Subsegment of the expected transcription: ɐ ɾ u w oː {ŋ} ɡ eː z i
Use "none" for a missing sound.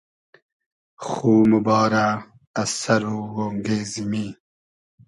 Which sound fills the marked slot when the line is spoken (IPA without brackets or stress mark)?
ŋ